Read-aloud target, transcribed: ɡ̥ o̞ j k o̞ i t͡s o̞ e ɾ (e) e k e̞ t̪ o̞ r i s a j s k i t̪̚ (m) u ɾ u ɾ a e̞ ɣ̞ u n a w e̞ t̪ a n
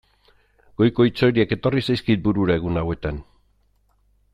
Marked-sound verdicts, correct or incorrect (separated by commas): incorrect, incorrect